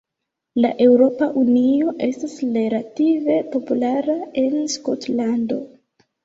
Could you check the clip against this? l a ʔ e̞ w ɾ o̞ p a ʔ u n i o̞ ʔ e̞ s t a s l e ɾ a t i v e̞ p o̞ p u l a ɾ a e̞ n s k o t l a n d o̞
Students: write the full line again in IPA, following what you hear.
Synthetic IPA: l a ʔ e̞ w ɾ o̞ p a ʔ u n i o̞ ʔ e̞ s t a s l e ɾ a t i v e̞ p o̞ p u l a ɾ a e̞ n s k o t l a n d o̞